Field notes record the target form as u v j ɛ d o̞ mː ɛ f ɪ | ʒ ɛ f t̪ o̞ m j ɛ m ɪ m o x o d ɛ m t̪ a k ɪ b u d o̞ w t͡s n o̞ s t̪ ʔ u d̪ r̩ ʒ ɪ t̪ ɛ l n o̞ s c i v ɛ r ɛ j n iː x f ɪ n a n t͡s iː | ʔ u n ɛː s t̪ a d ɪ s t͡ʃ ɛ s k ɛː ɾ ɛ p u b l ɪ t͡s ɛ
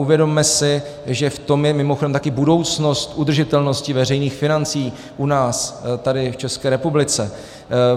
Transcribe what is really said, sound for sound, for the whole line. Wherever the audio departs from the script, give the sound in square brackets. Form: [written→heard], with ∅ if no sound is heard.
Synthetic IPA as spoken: u v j ɛ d o̞ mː ɛ [f→s] ɪ | ʒ ɛ f t̪ o̞ m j ɛ m ɪ m o x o d ɛ m t̪ a k ɪ b u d o̞ w t͡s n o̞ s t̪ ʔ u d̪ r̩ ʒ ɪ t̪ ɛ l n o̞ s c [i→ɪ] v ɛ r ɛ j n iː x f ɪ n a n t͡s iː | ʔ u n [ɛː→aː] s t̪ a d ɪ [s→f] t͡ʃ ɛ s k ɛː ɾ ɛ p u b l ɪ t͡s ɛ

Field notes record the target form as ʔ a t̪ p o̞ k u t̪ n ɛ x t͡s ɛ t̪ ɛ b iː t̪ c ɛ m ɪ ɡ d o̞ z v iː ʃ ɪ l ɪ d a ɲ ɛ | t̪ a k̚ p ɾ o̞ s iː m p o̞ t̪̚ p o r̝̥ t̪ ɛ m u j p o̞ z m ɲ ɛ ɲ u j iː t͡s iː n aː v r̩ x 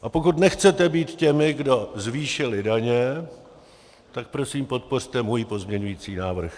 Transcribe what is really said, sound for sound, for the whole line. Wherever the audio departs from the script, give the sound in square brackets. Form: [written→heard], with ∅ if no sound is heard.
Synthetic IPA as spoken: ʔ a [t̪→∅] p o̞ k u t̪ n ɛ x t͡s ɛ t̪ ɛ b iː t̪ c ɛ m ɪ ɡ d o̞ z v iː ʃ ɪ l ɪ d a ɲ ɛ | t̪ a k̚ p ɾ o̞ s iː m p o̞ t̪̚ p o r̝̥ t̪ ɛ m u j p o̞ z m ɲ ɛ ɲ u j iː t͡s iː n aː v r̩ x

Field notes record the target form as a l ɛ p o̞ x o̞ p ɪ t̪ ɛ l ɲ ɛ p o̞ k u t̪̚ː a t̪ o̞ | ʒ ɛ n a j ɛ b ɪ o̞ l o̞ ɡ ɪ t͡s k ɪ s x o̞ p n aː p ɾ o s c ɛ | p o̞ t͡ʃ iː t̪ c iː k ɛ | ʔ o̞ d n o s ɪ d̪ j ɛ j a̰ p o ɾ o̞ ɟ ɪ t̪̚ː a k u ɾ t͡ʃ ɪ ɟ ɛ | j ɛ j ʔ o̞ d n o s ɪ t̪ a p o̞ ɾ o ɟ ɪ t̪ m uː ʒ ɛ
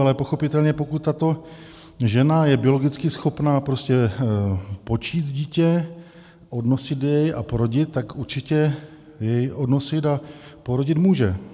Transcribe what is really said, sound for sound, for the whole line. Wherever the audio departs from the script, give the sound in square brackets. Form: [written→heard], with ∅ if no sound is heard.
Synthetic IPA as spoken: a l ɛ p o̞ x o̞ p ɪ t̪ ɛ l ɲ ɛ p o̞ k u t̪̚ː a t̪ o̞ | ʒ ɛ n a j ɛ b ɪ o̞ l o̞ ɡ ɪ t͡s k ɪ s x o̞ p n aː p ɾ o s c ɛ | p o̞ t͡ʃ iː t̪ [c→ɟ] iː [k→c] ɛ | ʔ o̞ d n o s ɪ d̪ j ɛ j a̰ p o ɾ o̞ ɟ ɪ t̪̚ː a k u ɾ t͡ʃ ɪ [ɟ→c] ɛ | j ɛ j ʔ o̞ d n o s ɪ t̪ a p o̞ ɾ o ɟ ɪ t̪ m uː ʒ ɛ

